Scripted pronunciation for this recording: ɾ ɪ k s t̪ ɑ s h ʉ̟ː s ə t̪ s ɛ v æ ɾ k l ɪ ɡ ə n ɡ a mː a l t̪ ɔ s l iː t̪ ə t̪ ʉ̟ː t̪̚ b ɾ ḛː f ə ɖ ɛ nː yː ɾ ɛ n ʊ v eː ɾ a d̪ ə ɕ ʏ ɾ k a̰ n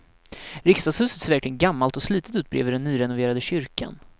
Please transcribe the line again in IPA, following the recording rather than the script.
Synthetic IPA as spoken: ɾ ɪ k s t̪ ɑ s h ʉ̟ː s ə t̪ s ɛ v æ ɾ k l ɪ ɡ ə n ɡ a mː a l t̪ ɔ s l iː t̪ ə t̪ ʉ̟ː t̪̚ b ɾ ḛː v ə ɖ ɛ nː yː ɾ ɛ n ʊ v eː ɾ a d̪ ə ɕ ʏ ɾ k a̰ n